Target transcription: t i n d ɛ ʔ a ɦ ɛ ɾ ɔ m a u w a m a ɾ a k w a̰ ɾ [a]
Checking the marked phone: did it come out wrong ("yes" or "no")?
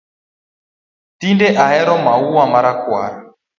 no